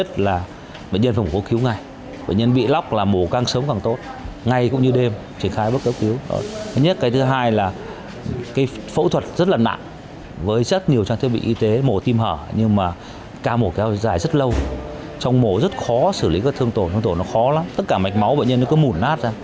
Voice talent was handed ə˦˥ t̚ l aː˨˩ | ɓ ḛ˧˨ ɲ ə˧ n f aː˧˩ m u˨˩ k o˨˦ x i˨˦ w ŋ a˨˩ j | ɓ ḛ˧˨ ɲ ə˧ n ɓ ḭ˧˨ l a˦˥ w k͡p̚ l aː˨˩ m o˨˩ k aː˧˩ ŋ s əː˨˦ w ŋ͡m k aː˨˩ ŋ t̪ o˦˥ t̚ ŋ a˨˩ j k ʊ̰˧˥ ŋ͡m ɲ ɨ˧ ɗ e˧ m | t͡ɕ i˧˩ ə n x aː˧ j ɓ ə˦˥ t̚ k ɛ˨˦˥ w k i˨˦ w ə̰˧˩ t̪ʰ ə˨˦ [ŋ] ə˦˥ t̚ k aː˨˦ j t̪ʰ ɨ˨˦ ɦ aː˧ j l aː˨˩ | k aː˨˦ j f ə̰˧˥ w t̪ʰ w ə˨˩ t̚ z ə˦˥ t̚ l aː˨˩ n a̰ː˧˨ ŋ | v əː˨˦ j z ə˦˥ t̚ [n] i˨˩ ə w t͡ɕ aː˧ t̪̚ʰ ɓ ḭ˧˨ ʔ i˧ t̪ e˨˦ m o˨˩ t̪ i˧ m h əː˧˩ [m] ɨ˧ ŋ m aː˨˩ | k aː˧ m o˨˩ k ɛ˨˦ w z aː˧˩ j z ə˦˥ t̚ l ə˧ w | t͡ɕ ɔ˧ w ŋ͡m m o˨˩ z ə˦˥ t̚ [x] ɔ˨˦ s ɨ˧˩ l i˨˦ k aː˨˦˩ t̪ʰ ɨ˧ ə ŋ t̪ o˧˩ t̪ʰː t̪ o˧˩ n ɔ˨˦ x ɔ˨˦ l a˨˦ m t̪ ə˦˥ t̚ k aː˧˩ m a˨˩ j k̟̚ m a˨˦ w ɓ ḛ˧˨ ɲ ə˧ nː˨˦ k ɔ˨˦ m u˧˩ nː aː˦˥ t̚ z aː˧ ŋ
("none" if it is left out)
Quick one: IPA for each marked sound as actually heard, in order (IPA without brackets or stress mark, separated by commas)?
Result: ɲ, ɲ, ɲ, x